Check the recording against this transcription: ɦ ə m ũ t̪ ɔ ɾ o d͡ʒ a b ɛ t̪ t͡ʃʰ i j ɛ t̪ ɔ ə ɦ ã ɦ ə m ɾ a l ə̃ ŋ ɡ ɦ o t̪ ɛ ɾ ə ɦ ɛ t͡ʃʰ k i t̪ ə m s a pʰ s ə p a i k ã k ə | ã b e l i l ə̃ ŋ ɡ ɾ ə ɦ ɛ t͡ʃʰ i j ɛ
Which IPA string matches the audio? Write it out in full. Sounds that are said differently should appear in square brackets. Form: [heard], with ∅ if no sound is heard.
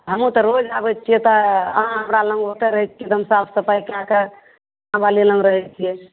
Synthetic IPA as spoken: ɦ ə m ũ t̪ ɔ ɾ o d͡ʒ a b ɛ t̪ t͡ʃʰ i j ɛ t̪ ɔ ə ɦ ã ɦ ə m ɾ a l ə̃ ŋ ɡ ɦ o t̪ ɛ ɾ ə ɦ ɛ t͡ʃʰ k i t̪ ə m s a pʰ s ə p a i k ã k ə | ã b [a] l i l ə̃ ŋ ɡ ɾ ə ɦ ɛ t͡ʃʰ i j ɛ